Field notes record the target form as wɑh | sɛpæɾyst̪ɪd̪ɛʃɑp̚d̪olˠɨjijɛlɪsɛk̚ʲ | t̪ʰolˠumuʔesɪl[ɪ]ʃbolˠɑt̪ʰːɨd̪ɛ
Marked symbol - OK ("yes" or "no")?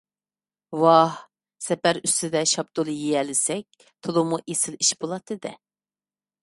no